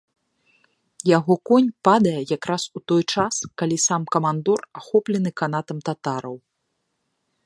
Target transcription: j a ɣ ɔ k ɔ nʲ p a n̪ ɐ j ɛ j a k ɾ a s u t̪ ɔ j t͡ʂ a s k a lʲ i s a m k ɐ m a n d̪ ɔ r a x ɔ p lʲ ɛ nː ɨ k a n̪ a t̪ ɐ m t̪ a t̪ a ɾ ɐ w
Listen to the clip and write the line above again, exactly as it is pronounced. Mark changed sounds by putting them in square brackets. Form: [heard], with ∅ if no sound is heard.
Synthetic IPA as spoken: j a ɣ ɔ k ɔ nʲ p a [d̪] ɐ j ɛ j a k ɾ a s u t̪ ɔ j t͡ʂ a s k a lʲ i s a m k ɐ m a n d̪ ɔ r a x ɔ p lʲ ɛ [n] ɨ k a n̪ a t̪ ɐ m t̪ a t̪ a ɾ ɐ w